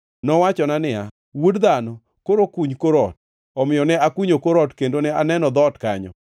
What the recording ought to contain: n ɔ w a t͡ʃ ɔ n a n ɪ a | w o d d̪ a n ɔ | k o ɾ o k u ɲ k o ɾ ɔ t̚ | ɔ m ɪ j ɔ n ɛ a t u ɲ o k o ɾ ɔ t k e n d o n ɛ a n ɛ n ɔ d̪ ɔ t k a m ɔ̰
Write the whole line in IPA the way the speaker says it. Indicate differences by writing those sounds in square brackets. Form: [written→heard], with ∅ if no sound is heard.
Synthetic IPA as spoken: n ɔ w a t͡ʃ ɔ n a n ɪ a | w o d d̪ a n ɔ | k o ɾ o k u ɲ k o ɾ ɔ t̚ | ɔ m ɪ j ɔ n ɛ a [t→k] u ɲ o k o ɾ ɔ t k e n d o n ɛ a n ɛ n ɔ d̪ ɔ t k a [m→ɲ] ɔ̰

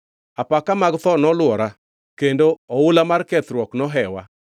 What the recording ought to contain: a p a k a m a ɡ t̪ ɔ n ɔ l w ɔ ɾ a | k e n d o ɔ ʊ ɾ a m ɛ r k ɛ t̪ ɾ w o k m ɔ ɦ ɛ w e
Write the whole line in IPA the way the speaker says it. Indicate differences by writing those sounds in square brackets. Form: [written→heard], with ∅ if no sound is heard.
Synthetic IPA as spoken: a p a k a m a ɡ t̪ ɔ n ɔ l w ɔ ɾ a | k e n d o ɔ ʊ [ɾ→l] a m [ɛ→a] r k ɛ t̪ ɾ w [o→ɔ] k [m→n] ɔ ɦ ɛ w [e→a]

